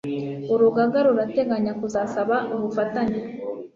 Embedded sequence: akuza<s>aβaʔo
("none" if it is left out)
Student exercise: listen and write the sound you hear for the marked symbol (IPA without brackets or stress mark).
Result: s